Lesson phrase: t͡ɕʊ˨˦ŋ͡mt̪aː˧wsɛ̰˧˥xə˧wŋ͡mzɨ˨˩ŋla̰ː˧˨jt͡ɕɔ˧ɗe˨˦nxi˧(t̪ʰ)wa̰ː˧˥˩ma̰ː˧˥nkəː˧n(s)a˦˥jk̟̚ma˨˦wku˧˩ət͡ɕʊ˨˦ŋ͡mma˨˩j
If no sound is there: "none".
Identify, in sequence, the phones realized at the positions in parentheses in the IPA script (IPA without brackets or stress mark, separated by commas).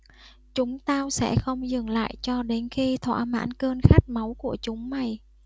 t̪ʰ, x